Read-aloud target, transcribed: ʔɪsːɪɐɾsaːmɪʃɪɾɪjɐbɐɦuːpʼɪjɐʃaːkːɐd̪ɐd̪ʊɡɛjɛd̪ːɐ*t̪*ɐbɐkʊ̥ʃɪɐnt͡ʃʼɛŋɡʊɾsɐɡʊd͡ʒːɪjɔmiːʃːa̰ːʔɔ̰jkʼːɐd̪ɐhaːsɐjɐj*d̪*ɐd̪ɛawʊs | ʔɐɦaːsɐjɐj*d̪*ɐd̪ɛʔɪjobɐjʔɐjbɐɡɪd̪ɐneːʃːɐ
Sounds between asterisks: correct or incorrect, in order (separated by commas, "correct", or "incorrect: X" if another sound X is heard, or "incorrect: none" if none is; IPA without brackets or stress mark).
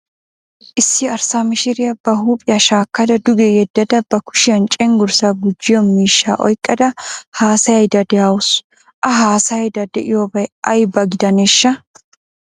incorrect: d̪, correct, correct